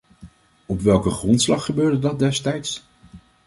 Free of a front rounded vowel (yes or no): no